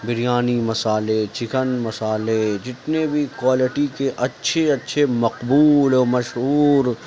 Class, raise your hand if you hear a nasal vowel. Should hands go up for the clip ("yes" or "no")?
no